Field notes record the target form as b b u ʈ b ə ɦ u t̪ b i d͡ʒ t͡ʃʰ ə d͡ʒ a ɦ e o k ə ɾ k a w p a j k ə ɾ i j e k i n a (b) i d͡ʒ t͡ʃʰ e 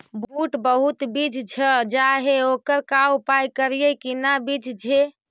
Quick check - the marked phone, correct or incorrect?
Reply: correct